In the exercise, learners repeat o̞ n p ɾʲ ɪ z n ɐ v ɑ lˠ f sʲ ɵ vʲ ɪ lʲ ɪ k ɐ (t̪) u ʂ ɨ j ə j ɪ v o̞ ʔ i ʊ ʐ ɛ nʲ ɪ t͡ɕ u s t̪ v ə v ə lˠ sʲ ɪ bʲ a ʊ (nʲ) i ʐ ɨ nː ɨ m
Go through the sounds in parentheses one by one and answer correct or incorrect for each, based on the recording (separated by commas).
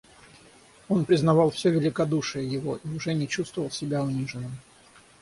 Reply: incorrect, correct